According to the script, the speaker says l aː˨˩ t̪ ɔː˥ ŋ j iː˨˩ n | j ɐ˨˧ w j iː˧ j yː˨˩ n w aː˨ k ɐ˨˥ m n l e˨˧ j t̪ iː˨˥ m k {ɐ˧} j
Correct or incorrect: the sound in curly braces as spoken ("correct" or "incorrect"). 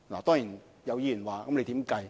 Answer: correct